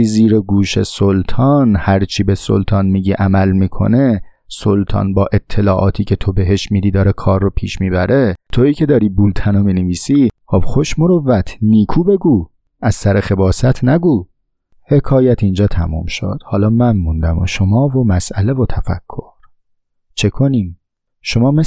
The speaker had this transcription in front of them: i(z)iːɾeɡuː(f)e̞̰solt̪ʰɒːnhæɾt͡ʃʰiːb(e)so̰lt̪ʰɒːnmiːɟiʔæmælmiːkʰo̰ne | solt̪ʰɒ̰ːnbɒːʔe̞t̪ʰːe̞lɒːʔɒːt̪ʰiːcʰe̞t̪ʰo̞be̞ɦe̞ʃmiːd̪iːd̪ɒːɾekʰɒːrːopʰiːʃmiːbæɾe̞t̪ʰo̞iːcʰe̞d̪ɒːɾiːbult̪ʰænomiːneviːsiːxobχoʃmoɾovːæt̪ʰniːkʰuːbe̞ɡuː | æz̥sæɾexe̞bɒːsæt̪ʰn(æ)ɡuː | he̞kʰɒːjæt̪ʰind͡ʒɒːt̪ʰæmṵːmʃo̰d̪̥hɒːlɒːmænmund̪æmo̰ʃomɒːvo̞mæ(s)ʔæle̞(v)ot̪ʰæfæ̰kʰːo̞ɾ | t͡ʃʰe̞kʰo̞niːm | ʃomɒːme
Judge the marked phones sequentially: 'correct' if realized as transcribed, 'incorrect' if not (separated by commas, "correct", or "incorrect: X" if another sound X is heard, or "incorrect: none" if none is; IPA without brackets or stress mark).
correct, incorrect: ʃ, correct, correct, correct, correct